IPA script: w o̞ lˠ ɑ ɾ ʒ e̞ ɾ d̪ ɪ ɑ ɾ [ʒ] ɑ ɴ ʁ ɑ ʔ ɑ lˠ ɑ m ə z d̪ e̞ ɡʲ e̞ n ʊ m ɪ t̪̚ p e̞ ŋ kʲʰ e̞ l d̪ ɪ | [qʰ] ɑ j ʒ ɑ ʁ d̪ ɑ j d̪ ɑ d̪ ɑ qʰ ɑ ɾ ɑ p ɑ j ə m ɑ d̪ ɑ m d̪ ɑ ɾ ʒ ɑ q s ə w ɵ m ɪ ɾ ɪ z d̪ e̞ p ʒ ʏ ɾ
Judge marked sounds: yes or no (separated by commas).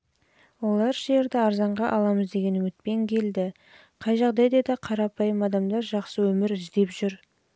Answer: no, yes